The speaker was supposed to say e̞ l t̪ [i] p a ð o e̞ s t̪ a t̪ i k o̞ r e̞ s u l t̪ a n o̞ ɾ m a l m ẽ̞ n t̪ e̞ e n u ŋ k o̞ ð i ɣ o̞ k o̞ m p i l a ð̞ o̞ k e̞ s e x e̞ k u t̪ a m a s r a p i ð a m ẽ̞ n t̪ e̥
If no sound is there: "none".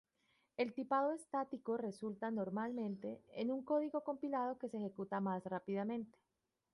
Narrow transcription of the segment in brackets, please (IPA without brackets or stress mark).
i